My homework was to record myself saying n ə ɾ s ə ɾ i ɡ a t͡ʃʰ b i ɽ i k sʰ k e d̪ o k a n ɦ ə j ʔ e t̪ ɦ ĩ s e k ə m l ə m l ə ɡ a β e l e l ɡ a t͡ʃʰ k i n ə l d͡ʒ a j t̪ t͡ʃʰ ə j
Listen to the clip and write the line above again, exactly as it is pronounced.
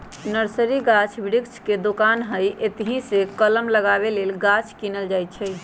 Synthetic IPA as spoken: n ə ɾ s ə ɾ i ɡ a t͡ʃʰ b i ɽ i k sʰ k e d̪ o k a n ɦ ə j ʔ e t̪ ɦ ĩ s e k ə l ə m l ə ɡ a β e l e l ɡ a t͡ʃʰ k i n ə l d͡ʒ a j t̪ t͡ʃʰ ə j